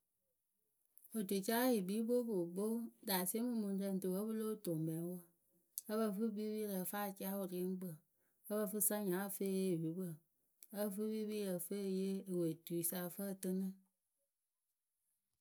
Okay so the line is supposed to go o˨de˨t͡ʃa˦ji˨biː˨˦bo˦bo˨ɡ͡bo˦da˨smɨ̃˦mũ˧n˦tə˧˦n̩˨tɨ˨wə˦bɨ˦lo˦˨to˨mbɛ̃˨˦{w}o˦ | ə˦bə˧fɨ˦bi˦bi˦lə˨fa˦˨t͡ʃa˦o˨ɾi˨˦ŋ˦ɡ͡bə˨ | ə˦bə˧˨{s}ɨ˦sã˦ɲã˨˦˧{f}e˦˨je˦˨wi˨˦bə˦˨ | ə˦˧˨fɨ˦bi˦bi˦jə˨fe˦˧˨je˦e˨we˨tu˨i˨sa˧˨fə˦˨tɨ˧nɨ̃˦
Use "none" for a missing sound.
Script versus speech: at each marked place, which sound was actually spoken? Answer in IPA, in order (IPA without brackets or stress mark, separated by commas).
w, f, f